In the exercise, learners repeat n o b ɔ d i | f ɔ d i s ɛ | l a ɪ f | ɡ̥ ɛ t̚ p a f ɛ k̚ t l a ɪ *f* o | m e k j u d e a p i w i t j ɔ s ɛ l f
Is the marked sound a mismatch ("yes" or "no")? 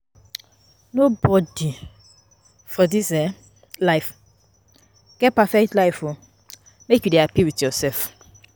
no